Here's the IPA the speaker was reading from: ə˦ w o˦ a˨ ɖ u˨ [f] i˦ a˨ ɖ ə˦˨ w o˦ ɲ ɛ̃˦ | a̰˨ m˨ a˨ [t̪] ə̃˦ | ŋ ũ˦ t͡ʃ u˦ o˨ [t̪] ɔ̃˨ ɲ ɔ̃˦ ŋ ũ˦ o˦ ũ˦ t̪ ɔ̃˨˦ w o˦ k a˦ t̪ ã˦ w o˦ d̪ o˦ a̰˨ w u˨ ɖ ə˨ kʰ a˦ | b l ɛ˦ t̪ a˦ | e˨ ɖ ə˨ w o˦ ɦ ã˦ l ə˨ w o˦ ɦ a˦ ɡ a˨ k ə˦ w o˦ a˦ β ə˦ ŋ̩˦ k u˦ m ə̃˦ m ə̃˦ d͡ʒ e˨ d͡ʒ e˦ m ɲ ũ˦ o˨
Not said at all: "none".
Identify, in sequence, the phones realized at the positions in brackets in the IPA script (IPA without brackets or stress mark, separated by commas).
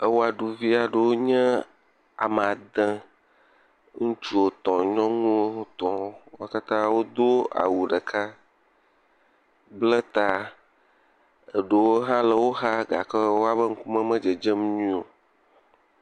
v, d̪, t̪